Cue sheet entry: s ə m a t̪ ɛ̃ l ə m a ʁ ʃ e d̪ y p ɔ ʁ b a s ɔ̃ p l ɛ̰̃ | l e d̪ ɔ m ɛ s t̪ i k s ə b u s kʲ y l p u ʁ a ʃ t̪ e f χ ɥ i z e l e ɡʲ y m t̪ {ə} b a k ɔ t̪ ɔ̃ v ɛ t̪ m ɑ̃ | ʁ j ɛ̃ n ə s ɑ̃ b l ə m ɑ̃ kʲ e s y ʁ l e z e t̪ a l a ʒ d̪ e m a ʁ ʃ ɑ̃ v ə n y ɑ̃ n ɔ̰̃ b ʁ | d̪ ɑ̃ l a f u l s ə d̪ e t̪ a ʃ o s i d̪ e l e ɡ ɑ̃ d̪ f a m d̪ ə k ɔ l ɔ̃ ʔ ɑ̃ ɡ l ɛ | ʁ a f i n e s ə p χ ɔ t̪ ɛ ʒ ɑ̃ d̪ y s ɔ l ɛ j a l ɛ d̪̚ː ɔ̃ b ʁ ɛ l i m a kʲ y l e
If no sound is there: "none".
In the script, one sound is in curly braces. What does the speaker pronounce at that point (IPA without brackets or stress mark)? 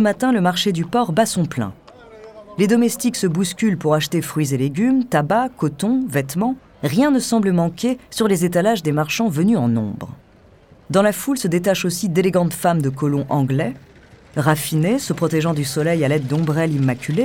a